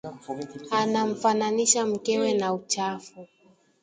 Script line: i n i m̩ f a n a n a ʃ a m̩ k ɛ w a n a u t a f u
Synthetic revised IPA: a n a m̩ f a n a n i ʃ a m̩ k ɛ w ɛ n a u t͡ʃ a f u